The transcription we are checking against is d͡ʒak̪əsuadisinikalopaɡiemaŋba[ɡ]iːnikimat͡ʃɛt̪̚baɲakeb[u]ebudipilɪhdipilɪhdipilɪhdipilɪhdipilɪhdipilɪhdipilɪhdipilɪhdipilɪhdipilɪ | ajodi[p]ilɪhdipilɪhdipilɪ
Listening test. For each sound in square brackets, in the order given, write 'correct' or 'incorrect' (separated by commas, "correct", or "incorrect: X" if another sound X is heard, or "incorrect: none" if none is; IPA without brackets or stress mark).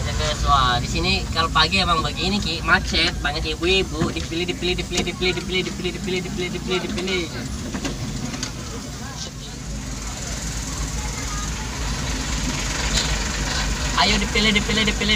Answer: correct, correct, correct